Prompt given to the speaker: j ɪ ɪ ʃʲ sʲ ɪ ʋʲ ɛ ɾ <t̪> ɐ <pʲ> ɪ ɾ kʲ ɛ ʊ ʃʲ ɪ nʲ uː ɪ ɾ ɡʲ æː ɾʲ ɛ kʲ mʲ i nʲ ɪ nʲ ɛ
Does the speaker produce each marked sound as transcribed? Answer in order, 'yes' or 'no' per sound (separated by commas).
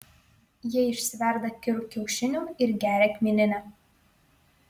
no, no